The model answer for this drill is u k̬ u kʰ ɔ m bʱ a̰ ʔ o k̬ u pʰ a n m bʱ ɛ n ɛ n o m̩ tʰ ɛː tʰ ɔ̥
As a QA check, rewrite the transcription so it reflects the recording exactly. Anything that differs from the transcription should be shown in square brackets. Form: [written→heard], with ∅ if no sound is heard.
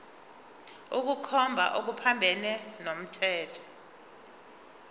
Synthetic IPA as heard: u k̬ u kʰ ɔ m bʱ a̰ ʔ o k̬ u pʰ a [n→∅] m bʱ ɛ n ɛ n o m̩ tʰ ɛː tʰ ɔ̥